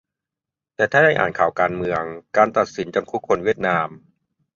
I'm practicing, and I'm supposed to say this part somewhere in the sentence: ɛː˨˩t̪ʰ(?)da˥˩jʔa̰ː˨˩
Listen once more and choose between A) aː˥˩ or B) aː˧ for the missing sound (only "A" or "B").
A